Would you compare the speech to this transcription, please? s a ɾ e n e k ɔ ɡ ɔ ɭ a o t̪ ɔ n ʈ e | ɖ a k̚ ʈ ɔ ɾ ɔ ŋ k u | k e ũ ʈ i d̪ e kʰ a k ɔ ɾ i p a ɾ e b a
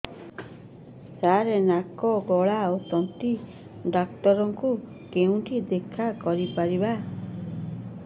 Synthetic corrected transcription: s a ɾ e n a k ɔ ɡ ɔ ɭ a o t̪ ɔ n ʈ i | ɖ a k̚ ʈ ɔ ɾ ɔ ŋ k u | k e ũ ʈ i d̪ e kʰ a k ɔ ɾ i p a ɾ i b a

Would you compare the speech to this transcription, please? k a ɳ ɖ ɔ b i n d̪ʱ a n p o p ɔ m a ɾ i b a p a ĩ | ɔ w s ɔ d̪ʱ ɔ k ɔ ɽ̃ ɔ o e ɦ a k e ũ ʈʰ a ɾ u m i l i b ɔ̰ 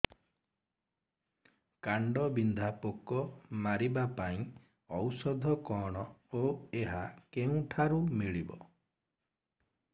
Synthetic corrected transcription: k a ɳ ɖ ɔ b i n d̪ʱ a p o k ɔ m a ɾ i b a p a ĩ | ɔ w s ɔ d̪ʱ ɔ k ɔ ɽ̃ ɔ o e ɦ a k e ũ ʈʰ a ɾ u m i ɭ i b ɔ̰

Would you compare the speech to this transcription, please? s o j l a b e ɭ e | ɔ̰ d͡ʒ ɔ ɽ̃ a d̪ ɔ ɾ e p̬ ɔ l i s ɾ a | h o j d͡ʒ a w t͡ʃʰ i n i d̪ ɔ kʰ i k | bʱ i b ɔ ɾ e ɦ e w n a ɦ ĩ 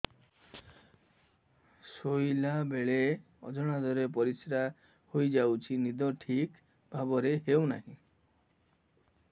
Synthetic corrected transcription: s o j l a b e ɭ e | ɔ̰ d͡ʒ ɔ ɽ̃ a d̪ ɔ ɾ e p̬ ɔ ɾ i s ɾ a | h o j d͡ʒ a w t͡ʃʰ i n i d̪ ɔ ʈʰ i k | bʱ a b ɔ ɾ e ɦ e w n a ɦ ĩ

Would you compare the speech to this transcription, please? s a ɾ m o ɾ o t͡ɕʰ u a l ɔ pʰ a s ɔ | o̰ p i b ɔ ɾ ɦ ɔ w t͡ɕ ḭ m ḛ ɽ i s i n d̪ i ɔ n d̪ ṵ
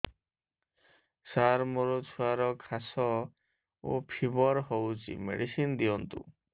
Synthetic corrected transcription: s a ɾ m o ɾ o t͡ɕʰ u a ɾ ɔ kʰ a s ɔ | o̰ pʰ i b ɔ ɾ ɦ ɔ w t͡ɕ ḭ m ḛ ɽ i s i n d̪ i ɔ n t̪ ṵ

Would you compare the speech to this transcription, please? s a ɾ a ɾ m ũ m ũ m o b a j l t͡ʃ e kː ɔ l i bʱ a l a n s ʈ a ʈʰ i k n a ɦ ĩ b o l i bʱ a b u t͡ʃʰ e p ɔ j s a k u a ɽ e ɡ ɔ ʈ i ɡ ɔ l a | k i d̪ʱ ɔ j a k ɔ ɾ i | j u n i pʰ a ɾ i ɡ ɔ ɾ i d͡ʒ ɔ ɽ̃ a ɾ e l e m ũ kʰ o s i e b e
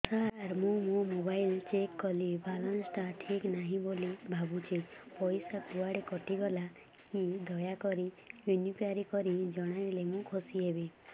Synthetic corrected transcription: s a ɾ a ɾ m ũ m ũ m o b a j l t͡ʃ e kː ɔ l i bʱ a l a n s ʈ a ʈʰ i k n a ɦ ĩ b o l i bʱ a b u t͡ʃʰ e p ɔ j s a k u a ɽ e k ɔ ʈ i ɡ ɔ l a | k i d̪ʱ ɔ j a k ɔ ɾ i | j u n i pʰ a ɾ i k ɔ ɾ i d͡ʒ ɔ ɽ̃ a ɾ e l e m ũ kʰ o s i e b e

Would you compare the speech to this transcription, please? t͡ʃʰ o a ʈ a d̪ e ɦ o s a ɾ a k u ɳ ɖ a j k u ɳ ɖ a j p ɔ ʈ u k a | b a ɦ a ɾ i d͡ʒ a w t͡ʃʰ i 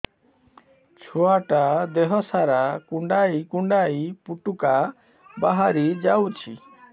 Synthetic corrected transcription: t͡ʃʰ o a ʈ a d̪ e ɦ ɔ s a ɾ a k u ɳ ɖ a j k u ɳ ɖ a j p u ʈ u k a | b a ɦ a ɾ i d͡ʒ a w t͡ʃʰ i

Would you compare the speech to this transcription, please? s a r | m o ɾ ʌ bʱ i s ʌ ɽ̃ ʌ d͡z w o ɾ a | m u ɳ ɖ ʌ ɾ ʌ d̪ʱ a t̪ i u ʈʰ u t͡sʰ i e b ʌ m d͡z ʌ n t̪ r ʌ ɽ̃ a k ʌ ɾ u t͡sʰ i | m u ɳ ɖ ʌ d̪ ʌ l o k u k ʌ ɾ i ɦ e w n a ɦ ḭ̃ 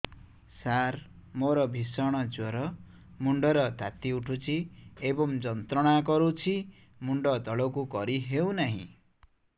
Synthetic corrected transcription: s a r | m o ɾ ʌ bʱ i s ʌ ɽ̃ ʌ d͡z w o ɾ ʌ | m u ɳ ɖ ʌ ɾ ʌ d̪ʱ a t̪ i u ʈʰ u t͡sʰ i e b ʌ m d͡z ʌ n t̪ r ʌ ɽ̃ a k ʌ ɾ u t͡sʰ i | m u ɳ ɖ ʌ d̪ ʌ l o k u k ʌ ɾ i ɦ e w n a ɦ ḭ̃

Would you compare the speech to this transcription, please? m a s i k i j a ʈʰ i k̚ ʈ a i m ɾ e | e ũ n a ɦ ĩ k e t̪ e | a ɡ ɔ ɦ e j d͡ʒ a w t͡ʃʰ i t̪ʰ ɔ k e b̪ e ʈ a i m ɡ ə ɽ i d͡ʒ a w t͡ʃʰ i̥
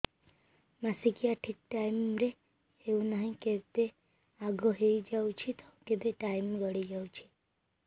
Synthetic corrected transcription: m a s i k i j a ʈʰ i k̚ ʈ a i m ɾ e | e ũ n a ɦ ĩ k e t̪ e | a ɡ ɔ ɦ e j d͡ʒ a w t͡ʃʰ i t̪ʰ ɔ k e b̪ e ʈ a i m ɡ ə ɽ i d͡ʒ a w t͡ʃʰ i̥

